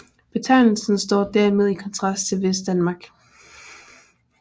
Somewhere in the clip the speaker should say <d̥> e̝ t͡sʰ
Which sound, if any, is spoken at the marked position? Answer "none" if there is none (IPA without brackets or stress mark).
b̥